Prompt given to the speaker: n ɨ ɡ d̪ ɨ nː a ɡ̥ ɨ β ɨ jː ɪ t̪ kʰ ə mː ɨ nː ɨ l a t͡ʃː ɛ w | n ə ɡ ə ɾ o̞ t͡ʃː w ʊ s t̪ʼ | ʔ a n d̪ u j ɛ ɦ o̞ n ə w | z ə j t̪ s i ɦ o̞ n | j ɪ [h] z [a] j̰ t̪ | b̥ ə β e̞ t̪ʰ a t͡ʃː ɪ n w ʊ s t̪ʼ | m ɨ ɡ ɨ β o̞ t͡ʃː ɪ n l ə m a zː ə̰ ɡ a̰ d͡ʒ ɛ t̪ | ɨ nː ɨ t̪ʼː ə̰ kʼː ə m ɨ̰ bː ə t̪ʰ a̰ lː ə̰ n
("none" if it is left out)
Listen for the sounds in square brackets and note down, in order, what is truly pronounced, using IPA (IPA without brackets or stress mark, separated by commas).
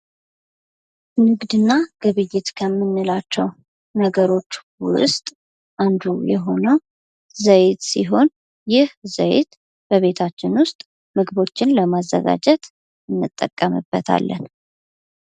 h, ə